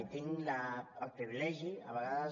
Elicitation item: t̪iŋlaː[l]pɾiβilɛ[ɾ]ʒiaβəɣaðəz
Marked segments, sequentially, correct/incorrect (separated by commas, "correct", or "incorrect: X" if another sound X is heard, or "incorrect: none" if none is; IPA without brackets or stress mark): correct, incorrect: none